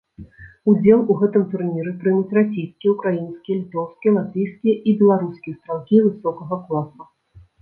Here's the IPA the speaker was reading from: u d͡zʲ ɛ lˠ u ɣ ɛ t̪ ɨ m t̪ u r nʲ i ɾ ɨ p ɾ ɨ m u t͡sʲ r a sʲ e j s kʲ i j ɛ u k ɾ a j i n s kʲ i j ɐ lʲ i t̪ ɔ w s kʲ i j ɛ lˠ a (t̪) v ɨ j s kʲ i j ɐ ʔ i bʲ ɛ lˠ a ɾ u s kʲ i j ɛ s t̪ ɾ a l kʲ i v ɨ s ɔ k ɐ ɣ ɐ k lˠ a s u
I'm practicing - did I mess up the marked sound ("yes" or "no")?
no